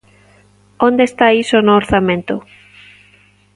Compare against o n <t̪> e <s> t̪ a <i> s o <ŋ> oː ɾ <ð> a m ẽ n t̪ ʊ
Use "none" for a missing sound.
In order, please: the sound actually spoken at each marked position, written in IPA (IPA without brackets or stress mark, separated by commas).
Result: d̪, s, i, n, θ